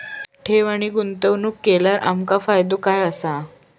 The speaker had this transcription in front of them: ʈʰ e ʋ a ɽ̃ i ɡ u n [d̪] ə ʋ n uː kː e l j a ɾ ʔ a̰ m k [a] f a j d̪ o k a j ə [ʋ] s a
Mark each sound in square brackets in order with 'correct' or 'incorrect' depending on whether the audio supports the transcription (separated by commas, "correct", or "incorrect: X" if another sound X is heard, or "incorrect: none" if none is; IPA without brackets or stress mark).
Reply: incorrect: t̪, correct, incorrect: none